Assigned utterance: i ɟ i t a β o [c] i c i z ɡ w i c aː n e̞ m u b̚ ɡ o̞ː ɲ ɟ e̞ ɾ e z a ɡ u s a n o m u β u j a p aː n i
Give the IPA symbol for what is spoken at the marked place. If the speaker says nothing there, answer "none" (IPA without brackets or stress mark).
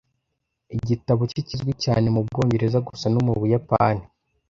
c